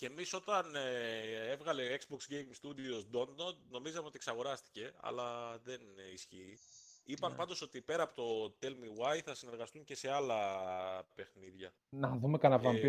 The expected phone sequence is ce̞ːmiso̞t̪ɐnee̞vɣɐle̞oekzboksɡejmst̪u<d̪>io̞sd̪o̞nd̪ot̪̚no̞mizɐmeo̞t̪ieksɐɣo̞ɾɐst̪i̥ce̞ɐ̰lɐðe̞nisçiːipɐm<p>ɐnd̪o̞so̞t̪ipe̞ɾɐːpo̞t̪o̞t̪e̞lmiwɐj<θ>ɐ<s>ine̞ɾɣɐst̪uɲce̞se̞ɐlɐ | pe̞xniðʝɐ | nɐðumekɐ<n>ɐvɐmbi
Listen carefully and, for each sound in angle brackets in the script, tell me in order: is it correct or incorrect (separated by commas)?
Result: correct, correct, correct, correct, correct